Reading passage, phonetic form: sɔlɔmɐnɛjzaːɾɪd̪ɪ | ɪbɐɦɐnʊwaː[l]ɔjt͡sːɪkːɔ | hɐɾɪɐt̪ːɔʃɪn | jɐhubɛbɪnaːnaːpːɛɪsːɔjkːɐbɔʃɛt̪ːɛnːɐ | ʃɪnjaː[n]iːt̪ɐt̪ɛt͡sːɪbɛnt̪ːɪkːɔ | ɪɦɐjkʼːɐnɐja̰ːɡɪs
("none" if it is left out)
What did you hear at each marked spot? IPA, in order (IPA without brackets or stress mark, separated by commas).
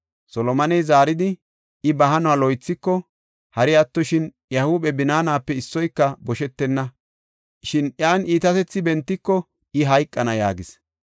l, n